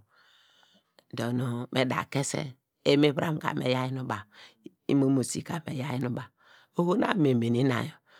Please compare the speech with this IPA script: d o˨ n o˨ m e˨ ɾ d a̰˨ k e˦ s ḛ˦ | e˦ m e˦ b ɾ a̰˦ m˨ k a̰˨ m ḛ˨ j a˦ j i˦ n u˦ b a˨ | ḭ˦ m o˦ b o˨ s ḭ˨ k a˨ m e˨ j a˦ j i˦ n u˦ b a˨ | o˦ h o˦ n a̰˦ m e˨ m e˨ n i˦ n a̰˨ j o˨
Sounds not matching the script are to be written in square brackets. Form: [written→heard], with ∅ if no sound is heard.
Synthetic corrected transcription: d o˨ n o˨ m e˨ [ɾ→∅] d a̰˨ k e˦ s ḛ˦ | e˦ m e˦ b ɾ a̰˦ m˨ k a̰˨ m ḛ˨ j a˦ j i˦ n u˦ b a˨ | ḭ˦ m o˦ [b→m] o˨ s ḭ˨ k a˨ m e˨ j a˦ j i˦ n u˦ b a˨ | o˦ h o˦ n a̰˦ m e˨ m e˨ n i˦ n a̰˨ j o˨